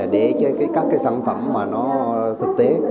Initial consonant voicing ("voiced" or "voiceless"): voiced